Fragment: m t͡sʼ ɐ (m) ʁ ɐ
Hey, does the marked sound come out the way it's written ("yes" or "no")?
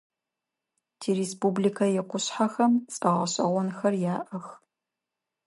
no